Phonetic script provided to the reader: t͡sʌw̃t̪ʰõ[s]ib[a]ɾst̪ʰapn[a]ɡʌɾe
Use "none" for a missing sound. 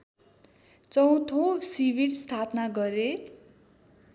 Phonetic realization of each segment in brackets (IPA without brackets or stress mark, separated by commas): s, i, a